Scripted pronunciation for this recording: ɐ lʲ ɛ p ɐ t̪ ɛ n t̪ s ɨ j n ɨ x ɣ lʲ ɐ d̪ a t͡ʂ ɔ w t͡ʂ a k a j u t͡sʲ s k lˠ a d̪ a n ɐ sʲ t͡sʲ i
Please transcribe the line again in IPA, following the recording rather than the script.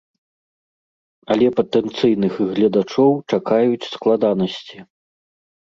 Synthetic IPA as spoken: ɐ lʲ ɛ p ɐ t̪ ɛ n t̪ s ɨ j n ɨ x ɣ lʲ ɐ d̪ a t͡ʂ ɔ w t͡ʂ a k a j u t͡sʲ s k lˠ a d̪ a n ɐ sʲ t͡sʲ i